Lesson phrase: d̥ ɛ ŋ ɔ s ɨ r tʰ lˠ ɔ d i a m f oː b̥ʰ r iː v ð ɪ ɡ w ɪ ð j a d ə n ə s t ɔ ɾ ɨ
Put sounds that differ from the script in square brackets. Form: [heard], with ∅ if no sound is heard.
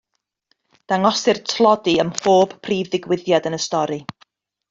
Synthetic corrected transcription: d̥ [a] ŋ ɔ s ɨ r tʰ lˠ ɔ d i [ə] m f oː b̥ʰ r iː v ð ɪ ɡ w ɪ ð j a d ə n ə s t ɔ ɾ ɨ